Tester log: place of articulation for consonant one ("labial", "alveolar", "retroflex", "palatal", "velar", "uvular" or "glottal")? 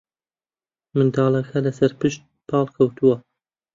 labial